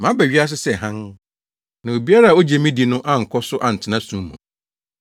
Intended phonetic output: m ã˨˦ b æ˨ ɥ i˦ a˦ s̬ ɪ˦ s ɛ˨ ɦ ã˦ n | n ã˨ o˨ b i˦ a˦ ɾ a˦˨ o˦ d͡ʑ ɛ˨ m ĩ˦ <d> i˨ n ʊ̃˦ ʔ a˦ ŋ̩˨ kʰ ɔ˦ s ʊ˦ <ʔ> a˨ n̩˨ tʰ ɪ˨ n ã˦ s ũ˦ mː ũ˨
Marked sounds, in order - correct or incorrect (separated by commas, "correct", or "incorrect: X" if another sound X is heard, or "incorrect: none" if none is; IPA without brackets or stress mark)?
correct, correct